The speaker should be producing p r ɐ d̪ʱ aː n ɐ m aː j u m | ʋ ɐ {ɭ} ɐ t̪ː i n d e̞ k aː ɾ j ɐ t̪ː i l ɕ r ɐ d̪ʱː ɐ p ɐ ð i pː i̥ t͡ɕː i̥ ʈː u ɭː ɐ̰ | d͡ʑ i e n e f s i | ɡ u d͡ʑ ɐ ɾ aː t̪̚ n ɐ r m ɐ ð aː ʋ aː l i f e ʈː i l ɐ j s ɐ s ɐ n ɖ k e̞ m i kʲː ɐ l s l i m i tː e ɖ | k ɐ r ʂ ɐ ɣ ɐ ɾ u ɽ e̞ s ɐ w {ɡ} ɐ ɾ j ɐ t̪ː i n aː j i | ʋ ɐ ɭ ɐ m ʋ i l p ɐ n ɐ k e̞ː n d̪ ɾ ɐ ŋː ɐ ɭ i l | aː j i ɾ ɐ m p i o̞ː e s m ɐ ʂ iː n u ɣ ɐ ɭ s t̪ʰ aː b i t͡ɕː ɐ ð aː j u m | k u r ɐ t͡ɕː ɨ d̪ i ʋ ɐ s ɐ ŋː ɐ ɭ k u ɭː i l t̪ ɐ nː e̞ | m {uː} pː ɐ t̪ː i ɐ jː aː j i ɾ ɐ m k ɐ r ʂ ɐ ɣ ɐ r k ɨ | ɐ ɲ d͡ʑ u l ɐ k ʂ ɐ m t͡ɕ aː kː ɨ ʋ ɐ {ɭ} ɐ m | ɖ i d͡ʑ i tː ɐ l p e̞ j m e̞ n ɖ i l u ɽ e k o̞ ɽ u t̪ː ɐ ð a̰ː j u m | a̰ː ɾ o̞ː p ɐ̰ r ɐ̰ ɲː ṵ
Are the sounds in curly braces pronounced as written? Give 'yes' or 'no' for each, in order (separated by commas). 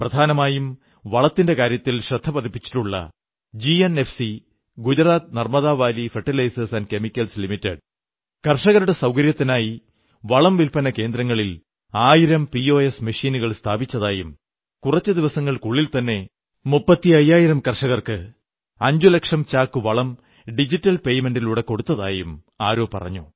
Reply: yes, no, no, yes